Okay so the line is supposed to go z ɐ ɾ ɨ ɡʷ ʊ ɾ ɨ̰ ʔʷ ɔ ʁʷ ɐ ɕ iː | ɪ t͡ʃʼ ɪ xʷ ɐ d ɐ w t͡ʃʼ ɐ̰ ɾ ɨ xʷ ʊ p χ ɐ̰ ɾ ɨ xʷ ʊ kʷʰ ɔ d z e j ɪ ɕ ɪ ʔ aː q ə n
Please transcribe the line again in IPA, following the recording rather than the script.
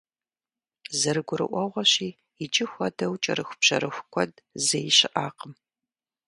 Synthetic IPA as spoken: z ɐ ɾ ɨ ɡʷ ʊ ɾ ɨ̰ ʔʷ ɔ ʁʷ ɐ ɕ iː | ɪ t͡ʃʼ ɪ xʷ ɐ d ɐ w t͡ʃʼ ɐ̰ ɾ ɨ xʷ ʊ p ɕ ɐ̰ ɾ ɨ xʷ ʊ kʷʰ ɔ d z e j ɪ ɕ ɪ ʔ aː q ə m